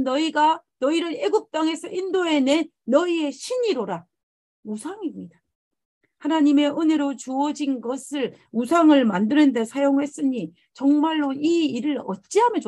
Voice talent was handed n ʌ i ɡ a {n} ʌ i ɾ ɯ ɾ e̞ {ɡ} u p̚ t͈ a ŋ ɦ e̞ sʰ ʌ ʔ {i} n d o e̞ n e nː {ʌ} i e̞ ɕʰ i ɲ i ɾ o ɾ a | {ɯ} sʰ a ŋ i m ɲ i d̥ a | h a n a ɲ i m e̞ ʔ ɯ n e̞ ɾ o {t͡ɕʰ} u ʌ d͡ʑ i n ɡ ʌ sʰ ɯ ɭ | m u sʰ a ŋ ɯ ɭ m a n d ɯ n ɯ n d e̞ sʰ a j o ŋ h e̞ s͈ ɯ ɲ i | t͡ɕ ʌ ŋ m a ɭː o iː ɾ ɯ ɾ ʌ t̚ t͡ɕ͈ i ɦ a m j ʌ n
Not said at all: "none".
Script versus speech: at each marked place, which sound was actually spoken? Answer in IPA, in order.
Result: n, ɡ, i, ʌ, u, t͡ɕ

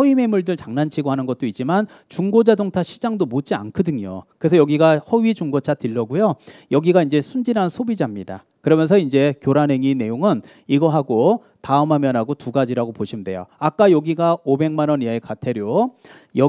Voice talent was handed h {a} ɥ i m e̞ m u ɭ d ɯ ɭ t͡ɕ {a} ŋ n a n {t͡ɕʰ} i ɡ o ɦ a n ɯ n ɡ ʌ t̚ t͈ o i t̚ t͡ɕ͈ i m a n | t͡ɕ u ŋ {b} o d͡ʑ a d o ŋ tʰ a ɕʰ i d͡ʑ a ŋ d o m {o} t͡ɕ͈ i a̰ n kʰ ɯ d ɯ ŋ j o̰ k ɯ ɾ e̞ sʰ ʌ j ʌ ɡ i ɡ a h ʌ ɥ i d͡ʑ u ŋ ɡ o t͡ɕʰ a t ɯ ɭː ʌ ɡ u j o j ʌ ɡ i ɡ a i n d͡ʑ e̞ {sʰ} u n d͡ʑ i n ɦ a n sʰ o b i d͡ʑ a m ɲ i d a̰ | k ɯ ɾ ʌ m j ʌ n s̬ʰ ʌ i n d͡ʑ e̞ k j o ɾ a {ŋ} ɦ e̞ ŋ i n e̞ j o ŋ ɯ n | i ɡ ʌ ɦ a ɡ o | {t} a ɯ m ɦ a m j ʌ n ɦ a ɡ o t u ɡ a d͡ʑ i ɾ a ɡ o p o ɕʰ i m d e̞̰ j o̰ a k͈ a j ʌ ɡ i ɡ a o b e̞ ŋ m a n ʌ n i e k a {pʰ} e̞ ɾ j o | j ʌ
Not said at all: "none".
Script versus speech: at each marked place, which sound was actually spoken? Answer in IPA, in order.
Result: ʌ, a, t͡ɕʰ, ɡ, o, sʰ, n, t, tʰ

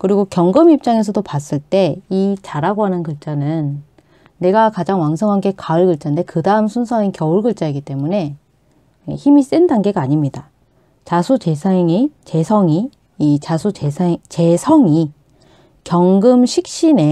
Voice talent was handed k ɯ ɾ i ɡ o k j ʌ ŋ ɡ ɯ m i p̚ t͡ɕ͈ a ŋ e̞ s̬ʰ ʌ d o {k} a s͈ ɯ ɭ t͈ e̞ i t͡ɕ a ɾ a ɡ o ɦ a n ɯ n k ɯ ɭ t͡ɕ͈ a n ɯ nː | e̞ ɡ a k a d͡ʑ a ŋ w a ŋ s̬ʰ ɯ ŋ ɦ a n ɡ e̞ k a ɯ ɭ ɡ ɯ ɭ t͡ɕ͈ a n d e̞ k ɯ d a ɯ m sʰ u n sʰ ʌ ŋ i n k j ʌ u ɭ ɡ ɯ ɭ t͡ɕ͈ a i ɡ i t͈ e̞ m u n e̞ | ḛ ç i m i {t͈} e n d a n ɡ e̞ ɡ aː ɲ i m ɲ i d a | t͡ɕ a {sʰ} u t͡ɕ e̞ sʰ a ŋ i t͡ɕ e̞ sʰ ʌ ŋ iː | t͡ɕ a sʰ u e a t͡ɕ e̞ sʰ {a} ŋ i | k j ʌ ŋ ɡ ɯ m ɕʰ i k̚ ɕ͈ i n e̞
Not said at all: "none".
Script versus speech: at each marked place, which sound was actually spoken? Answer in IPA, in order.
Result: p, s͈, sʰ, ʌ

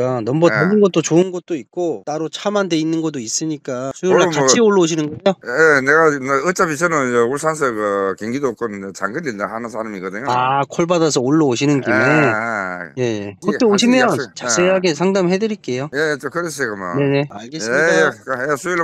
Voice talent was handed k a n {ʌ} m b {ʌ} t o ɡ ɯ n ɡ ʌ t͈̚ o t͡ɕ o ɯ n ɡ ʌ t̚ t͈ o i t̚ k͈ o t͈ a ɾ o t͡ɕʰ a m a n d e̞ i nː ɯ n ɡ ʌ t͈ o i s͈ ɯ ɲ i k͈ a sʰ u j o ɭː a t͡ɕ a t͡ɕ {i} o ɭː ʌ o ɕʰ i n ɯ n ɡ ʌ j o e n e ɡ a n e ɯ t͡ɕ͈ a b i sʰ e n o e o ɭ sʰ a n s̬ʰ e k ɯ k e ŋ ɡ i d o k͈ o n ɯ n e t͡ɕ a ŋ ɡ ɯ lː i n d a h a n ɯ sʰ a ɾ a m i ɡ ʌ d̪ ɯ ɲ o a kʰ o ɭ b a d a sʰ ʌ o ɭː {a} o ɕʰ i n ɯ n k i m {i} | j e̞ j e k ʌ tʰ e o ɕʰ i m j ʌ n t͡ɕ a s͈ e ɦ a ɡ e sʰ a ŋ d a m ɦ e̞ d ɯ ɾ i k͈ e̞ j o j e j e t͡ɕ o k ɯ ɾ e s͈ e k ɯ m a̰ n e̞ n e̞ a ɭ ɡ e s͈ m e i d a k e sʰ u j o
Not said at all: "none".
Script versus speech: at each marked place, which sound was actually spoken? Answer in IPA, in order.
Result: ʌ, ʌ, i, ʌ, e

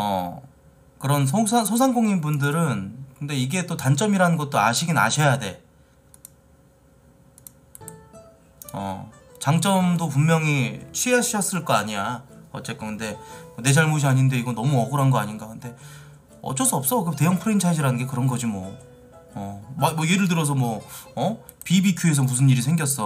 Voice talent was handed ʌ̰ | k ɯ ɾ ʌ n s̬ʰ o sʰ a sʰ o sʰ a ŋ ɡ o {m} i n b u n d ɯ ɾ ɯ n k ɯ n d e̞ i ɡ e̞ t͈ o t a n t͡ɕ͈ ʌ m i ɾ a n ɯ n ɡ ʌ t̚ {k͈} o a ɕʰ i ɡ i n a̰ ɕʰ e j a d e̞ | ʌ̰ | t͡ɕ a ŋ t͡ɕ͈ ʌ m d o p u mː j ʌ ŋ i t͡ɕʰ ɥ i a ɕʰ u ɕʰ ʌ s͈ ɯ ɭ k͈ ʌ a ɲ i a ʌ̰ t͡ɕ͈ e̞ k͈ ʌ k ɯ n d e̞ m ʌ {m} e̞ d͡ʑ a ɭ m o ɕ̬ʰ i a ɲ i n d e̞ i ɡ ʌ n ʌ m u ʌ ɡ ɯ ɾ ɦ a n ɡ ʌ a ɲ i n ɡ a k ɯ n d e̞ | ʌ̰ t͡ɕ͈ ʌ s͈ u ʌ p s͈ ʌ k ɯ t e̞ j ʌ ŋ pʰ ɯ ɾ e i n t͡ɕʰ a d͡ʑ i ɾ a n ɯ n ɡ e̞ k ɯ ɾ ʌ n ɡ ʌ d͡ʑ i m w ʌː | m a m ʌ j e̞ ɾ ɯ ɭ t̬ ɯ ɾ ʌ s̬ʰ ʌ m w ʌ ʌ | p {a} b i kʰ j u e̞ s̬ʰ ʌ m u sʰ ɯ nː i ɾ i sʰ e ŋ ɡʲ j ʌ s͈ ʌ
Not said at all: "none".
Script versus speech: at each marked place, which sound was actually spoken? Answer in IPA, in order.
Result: ŋ, t͈, n, i

